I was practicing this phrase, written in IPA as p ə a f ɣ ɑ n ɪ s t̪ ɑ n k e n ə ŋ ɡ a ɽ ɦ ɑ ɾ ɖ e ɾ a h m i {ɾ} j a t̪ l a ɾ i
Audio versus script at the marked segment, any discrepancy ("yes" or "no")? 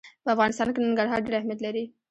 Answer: yes